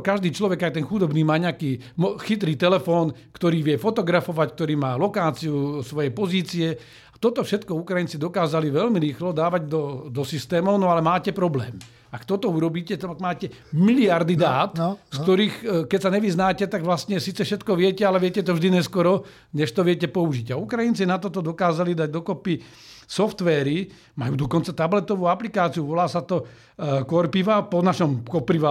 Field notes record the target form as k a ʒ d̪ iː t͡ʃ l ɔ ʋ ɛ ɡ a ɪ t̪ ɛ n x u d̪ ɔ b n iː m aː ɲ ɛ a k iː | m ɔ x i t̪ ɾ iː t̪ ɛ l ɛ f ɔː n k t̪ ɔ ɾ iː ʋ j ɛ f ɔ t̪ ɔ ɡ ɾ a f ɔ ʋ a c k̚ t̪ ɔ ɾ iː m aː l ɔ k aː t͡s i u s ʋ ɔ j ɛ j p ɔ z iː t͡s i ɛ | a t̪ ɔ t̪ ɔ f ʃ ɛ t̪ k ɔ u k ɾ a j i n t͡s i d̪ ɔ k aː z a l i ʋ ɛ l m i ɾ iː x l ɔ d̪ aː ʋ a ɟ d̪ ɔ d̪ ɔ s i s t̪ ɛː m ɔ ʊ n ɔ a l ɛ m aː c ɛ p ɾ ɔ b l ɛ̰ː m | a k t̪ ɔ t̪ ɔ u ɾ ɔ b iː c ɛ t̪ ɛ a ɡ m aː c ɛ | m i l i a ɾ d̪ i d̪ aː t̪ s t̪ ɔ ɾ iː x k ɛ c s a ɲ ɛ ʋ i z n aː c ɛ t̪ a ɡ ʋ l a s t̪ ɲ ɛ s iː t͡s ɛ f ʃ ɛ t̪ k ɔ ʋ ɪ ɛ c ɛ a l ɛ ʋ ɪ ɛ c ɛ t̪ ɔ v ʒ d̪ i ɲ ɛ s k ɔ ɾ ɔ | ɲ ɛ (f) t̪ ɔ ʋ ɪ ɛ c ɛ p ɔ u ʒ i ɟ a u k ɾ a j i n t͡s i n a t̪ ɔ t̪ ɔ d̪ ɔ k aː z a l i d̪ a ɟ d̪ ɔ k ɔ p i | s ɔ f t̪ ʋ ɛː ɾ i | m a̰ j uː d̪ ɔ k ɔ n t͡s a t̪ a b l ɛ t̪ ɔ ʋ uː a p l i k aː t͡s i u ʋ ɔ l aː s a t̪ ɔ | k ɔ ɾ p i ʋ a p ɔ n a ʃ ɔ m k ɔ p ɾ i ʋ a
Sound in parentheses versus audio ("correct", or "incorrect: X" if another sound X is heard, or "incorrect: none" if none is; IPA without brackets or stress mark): incorrect: ʃ